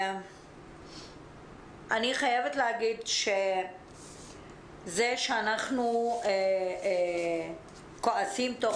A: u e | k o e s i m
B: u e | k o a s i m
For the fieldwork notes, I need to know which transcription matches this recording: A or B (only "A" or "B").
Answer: B